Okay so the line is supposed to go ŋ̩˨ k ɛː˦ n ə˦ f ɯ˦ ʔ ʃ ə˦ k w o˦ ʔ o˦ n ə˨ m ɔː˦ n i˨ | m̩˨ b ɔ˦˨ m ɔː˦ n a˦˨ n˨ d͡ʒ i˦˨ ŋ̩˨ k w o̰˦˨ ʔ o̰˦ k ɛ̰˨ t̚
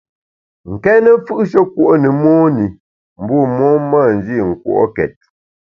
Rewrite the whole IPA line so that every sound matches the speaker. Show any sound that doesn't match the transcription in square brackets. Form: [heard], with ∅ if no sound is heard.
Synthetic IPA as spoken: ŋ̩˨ k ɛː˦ n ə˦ f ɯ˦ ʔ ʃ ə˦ k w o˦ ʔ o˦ n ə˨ m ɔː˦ n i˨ | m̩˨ b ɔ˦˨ m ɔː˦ [m] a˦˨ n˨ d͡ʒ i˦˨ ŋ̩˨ k w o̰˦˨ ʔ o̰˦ k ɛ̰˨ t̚